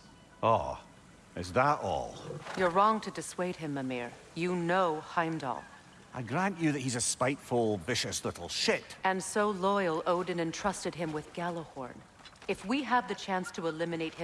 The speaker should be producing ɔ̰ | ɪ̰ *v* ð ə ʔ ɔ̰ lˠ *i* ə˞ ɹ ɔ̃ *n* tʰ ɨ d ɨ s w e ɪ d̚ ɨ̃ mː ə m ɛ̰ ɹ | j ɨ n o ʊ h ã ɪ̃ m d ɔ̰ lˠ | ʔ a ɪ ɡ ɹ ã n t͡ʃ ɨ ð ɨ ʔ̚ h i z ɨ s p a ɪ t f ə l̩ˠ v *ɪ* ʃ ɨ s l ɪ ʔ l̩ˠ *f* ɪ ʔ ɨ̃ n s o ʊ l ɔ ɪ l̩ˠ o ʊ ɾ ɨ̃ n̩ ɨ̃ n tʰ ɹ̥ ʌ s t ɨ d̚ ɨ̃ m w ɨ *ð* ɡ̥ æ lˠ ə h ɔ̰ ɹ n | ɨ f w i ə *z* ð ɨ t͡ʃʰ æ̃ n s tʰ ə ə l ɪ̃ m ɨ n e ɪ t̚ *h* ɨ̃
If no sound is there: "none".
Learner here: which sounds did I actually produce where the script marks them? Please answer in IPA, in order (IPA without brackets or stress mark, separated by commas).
z, j, ŋ, ɪ, ʃ, ð, v, h